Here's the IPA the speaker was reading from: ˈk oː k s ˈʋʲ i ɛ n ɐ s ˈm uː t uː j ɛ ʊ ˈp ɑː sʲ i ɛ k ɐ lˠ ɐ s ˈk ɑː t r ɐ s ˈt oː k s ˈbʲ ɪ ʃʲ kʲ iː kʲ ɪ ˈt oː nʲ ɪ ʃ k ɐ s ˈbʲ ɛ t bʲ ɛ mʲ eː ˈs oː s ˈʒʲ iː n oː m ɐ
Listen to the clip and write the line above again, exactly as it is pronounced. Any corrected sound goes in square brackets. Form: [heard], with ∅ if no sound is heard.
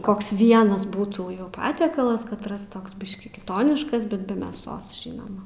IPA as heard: ˈk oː k s ˈʋʲ i ɛ n ɐ s [ˈb] uː t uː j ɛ ʊ ˈp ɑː [tʲ] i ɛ k ɐ lˠ ɐ s ˈk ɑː t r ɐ s ˈt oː k s ˈbʲ ɪ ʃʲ kʲ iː kʲ ɪ ˈt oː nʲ ɪ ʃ k ɐ s ˈbʲ ɛ t bʲ ɛ mʲ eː ˈs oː s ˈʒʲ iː n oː m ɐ